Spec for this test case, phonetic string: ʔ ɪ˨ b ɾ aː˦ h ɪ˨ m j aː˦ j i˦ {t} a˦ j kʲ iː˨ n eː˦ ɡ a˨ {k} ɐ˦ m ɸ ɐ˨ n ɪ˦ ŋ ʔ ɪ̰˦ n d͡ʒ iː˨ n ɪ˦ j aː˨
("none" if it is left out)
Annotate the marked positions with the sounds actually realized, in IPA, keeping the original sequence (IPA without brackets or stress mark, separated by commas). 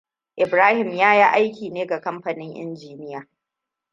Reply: ʔ, k